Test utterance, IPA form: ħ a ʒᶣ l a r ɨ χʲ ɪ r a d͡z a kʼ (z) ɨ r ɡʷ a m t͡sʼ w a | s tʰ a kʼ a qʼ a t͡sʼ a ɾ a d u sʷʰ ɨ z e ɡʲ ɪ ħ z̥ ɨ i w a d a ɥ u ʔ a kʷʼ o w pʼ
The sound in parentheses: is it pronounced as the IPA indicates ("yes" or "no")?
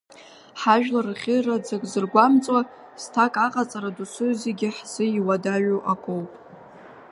yes